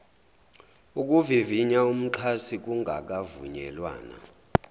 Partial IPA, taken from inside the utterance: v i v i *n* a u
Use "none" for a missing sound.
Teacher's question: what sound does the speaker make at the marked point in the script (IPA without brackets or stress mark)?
ɲ